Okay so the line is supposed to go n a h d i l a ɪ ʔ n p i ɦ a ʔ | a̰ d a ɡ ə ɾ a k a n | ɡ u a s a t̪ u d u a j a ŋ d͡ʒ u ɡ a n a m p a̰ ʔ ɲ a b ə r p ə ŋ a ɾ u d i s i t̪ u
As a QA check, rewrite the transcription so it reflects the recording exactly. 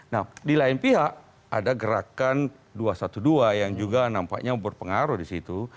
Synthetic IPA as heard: n a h d i l a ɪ n p i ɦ a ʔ | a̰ d a ɡ ə ɾ a k a n | d u a s a t̪ u d u a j a ŋ d͡ʒ u ɡ a n a m p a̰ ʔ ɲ a b ə r p ə ŋ a ɾ u d i s i t̪ u